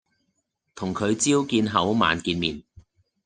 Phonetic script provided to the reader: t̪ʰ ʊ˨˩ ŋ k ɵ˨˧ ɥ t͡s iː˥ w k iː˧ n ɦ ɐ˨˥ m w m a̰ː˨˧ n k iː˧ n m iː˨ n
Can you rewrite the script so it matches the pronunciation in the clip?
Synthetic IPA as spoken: t̪ʰ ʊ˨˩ ŋ kʰ ɵ˨˧ ɥ t͡s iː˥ w k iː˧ n ɦ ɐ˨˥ w m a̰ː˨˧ n k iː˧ n m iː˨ n